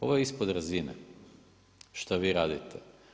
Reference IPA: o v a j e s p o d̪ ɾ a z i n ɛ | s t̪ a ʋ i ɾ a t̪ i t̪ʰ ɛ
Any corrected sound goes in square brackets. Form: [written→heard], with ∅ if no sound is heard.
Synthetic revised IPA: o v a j [e→i] s p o d̪ ɾ a z i n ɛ | [s→ʃ] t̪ a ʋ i ɾ a [t̪→d̪] i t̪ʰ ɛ